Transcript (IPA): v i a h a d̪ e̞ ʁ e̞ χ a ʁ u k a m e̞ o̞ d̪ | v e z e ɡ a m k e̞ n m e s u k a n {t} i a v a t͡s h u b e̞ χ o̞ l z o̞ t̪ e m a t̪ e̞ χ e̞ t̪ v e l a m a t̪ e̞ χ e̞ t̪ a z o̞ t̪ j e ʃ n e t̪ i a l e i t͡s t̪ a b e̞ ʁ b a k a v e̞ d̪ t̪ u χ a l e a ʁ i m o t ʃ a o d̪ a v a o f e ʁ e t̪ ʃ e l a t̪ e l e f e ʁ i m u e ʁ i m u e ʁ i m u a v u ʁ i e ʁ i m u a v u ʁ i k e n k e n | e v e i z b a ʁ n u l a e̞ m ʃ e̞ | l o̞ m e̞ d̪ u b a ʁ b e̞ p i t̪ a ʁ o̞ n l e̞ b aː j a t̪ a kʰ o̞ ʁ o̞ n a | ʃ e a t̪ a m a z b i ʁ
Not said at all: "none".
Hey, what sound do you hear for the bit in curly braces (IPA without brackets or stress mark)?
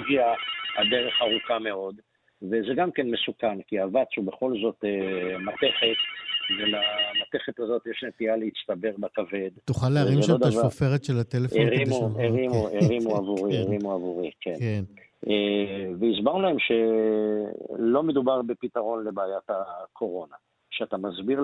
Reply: k